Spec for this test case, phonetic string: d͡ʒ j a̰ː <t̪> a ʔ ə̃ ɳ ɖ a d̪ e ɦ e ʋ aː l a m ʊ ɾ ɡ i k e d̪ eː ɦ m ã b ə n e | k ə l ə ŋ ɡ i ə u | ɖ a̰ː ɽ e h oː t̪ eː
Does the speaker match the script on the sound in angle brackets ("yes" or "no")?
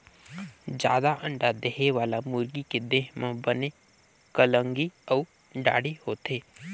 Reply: no